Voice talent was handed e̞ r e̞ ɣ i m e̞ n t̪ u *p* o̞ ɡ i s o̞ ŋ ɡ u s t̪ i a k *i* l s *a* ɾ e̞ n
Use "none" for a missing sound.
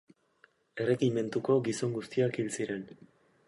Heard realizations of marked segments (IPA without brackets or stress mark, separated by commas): k, i, i